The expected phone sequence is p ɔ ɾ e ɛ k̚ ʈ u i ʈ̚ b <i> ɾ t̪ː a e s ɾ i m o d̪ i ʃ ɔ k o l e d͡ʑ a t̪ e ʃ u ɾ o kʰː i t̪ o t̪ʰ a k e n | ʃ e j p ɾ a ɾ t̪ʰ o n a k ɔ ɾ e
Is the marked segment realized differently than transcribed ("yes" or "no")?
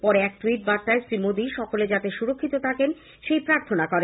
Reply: yes